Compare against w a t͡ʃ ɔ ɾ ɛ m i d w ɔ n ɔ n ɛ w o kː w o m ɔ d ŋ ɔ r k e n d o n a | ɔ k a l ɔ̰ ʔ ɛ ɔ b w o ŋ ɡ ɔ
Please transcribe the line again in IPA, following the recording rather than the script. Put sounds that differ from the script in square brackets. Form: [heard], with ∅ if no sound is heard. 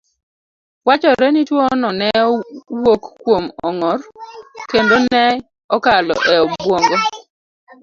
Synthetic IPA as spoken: w a t͡ʃ ɔ ɾ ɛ [n] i [t] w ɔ n ɔ n ɛ w o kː w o m ɔ [∅] ŋ ɔ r k e n d o n [ɛ] | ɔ k a l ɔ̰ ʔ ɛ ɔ b w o ŋ ɡ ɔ